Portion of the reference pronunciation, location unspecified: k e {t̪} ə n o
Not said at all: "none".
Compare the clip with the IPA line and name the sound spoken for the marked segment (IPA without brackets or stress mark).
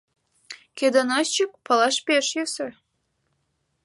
d̪